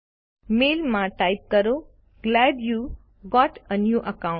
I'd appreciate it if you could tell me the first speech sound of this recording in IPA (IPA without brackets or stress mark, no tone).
m